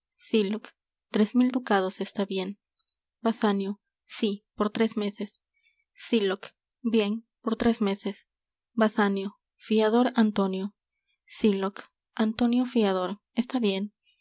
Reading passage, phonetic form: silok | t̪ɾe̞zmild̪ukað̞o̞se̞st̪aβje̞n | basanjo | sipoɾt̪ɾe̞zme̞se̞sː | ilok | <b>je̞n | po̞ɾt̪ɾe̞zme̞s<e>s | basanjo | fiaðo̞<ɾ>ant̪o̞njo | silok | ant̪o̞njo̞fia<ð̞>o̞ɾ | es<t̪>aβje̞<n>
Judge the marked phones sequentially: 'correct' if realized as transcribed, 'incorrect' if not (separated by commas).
correct, correct, correct, correct, correct, correct